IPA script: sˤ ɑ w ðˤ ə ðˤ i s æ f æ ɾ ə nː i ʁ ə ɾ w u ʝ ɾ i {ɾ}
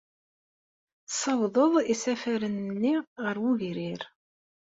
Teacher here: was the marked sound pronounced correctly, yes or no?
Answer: yes